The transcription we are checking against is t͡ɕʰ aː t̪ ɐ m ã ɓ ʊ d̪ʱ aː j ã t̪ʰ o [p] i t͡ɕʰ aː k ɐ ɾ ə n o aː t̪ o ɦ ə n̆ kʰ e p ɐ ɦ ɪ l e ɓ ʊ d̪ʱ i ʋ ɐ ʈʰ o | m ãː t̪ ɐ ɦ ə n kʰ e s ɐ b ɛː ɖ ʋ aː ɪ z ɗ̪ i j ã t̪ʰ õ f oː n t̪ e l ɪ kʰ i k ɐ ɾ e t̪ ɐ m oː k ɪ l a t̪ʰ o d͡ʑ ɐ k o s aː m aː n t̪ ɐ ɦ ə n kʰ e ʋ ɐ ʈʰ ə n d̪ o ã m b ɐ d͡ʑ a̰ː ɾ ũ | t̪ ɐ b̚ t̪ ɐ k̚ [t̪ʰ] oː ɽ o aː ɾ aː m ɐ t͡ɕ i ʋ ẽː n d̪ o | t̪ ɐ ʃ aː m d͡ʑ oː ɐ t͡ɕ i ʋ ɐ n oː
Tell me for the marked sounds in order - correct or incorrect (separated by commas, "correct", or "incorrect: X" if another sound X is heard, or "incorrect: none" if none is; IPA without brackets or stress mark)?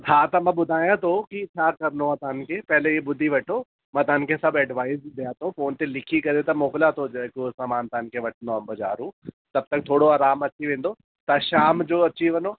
incorrect: k, correct